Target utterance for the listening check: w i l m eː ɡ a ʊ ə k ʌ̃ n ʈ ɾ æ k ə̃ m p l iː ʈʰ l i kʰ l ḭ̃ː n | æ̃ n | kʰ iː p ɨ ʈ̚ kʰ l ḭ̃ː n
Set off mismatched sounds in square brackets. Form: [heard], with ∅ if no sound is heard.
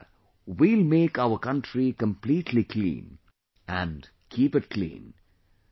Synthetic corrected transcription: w i l m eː [k] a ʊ ə k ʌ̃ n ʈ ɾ [i] k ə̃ m p l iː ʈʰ l i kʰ l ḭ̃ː n | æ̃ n | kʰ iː p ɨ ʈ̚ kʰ l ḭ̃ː n